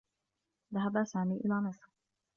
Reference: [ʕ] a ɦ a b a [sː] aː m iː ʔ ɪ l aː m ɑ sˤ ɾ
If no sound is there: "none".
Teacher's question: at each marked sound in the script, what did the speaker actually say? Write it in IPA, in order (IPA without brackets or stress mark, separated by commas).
ð, s